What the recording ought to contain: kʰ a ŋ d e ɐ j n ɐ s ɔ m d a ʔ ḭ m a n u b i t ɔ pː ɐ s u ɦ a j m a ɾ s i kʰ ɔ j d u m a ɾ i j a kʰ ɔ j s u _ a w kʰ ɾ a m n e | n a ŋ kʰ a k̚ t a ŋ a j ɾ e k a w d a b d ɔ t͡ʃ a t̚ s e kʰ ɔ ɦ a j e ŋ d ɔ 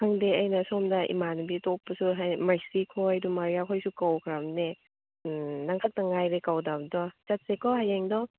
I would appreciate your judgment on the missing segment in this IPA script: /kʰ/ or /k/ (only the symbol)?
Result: k